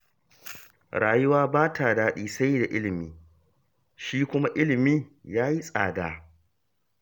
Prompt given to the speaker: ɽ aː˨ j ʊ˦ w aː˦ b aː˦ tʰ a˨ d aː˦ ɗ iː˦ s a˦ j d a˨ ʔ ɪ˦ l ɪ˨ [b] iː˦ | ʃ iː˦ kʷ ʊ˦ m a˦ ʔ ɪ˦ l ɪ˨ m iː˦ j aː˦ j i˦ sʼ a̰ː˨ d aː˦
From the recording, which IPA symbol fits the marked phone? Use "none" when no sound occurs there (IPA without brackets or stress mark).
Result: m